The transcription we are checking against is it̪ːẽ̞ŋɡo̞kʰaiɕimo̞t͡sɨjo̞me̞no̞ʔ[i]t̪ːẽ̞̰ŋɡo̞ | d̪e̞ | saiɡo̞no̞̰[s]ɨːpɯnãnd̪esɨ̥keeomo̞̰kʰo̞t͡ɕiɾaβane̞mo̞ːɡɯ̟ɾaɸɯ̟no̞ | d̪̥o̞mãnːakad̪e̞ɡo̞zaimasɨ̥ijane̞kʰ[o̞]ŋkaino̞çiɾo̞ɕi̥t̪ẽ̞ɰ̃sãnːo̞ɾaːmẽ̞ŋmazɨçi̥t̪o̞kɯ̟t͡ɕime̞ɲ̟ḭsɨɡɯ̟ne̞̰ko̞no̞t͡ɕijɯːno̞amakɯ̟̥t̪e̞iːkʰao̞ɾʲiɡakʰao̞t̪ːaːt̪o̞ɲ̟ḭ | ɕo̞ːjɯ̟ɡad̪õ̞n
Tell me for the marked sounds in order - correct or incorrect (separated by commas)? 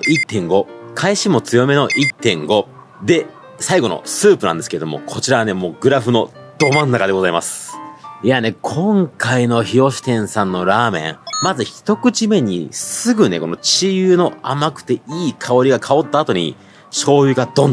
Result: correct, correct, incorrect